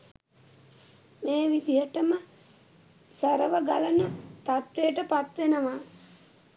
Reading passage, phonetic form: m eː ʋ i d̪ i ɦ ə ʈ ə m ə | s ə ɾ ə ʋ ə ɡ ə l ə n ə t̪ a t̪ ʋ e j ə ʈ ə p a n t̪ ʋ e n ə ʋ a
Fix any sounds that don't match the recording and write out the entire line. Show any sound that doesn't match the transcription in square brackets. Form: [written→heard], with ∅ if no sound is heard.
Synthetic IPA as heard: m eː ʋ i d̪ i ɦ ə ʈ ə m ə | s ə ɾ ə ʋ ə ɡ [ə→a] l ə n ə t̪ a t̪ ʋ e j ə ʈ ə p a [n→∅] t̪ ʋ e n ə ʋ a